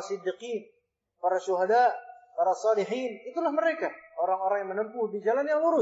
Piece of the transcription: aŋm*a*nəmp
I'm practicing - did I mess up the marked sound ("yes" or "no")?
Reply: yes